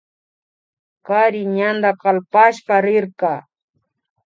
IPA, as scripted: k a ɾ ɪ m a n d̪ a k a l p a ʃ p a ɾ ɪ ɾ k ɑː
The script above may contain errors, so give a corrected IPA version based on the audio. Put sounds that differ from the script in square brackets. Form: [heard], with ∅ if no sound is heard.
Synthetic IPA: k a ɾ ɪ [ɲ] a n d̪ a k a l p a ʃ p a ɾ ɪ ɾ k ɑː